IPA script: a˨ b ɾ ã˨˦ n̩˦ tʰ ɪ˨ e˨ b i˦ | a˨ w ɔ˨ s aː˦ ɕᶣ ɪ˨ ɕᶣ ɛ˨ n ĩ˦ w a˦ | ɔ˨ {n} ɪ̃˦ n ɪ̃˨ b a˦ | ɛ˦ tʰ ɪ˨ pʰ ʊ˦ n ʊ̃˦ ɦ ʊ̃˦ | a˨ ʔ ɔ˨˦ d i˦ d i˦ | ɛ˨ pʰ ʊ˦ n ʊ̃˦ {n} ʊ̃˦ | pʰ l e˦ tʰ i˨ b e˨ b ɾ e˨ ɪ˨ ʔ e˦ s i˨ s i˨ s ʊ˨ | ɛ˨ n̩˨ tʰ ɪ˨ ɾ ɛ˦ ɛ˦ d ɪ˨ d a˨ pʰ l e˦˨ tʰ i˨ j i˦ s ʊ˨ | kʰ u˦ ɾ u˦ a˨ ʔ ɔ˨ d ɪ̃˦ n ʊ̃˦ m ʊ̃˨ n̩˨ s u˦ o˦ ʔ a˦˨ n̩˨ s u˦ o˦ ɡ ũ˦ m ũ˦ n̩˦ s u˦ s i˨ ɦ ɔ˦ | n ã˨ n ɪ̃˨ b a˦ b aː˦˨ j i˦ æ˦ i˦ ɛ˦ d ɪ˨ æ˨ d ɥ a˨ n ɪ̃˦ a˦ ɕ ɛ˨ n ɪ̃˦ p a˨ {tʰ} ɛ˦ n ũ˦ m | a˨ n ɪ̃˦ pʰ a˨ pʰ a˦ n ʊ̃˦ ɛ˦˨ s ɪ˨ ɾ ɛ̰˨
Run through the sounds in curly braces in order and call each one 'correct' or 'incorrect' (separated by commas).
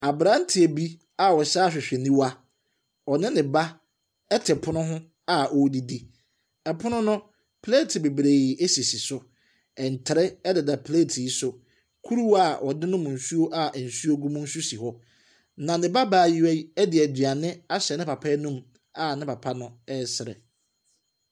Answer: correct, correct, incorrect